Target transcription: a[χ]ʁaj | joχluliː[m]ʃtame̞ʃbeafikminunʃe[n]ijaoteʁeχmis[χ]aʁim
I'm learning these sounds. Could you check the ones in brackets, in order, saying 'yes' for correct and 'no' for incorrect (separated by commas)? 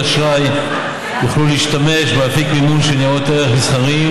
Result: no, no, yes, yes